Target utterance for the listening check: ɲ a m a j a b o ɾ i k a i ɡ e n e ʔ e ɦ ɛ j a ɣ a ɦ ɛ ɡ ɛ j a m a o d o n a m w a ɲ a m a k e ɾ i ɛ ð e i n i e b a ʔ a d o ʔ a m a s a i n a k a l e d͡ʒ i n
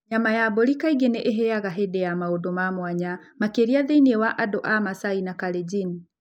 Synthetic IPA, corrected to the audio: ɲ a m a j a b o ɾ i k a i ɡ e n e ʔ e ɦ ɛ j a ɣ a ɦ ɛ d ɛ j a m a o d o m a m w a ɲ a m a k e ɾ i a ð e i n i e w a ʔ a d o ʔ a m a s a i n a k a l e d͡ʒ i n